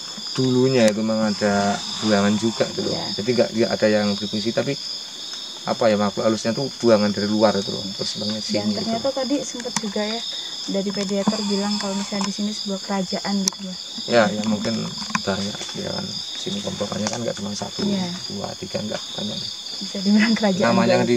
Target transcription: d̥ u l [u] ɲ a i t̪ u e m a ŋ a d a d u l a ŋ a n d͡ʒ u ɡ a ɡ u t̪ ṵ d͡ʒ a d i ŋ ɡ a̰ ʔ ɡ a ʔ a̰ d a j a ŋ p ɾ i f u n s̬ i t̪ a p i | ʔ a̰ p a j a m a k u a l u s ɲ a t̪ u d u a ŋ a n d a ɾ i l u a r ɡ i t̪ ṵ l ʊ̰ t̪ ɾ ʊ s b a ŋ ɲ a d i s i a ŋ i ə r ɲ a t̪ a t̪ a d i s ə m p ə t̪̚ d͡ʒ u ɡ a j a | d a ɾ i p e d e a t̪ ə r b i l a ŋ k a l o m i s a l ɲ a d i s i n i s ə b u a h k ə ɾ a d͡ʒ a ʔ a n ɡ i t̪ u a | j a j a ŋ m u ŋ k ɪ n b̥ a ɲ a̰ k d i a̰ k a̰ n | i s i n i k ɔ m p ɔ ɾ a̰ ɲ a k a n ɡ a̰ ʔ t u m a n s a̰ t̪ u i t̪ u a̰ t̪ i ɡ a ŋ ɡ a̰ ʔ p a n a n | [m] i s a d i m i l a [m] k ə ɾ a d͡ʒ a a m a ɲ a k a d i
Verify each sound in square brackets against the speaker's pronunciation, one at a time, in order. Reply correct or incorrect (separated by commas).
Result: correct, incorrect, incorrect